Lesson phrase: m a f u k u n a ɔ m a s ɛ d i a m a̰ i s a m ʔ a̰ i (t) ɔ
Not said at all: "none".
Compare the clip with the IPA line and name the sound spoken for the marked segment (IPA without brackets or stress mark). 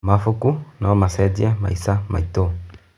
t